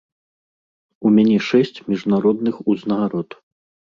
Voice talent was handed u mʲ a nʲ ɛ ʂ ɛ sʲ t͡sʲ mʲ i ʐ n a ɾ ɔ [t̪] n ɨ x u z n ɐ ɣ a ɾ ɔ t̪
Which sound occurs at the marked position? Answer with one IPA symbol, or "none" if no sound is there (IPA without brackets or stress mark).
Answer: d̪